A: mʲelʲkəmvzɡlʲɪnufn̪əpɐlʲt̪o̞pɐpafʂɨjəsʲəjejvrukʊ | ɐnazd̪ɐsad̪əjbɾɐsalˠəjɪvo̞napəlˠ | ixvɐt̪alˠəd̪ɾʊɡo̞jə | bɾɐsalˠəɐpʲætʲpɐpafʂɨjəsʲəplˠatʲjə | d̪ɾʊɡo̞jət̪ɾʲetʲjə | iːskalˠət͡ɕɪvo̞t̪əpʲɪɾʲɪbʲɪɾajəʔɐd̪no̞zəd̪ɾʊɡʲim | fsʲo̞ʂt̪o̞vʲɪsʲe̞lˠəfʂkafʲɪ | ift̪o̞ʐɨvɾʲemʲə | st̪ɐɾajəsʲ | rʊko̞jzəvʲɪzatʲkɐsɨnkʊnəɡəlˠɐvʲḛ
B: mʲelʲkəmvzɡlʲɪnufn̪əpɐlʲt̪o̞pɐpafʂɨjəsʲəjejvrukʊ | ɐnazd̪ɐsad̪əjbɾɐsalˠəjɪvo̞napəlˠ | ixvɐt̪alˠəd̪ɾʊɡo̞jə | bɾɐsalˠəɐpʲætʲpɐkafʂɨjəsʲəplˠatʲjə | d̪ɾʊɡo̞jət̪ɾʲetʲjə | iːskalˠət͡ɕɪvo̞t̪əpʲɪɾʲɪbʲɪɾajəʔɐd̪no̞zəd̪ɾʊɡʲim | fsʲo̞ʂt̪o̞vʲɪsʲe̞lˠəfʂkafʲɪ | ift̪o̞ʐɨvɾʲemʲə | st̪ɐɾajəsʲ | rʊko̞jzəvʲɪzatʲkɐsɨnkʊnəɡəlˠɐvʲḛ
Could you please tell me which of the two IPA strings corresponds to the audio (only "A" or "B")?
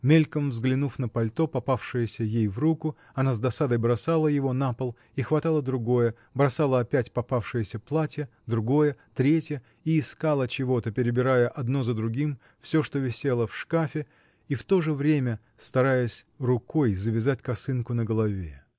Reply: A